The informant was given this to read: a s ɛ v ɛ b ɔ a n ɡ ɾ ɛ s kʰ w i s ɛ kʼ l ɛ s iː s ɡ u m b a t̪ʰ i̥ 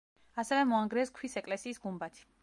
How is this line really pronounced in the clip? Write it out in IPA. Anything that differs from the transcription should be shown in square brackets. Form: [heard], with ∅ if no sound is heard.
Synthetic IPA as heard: a s ɛ v ɛ [m] ɔ a [ŋ] ɡ ɾ ɛ s kʰ w i s ɛ kʼ l ɛ s iː s ɡ u m b a t̪ʰ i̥